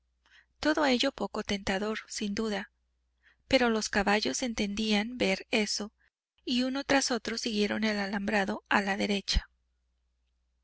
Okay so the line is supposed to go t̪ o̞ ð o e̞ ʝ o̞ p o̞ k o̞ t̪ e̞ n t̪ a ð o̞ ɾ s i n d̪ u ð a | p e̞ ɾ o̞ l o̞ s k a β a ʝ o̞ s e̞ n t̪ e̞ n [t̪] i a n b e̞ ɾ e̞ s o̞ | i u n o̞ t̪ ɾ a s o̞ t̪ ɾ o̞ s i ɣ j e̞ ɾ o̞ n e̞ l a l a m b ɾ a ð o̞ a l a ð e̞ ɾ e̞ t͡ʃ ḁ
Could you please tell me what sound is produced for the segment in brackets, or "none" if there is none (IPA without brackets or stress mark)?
d̪